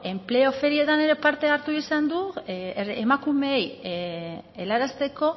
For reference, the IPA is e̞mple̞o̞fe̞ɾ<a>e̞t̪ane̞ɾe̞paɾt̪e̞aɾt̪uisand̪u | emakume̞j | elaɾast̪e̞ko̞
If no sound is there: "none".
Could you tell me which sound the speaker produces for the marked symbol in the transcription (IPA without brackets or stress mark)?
i